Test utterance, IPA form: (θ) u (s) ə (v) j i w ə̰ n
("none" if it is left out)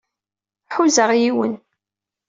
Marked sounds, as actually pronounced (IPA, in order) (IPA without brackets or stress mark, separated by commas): ħ, z, ʁ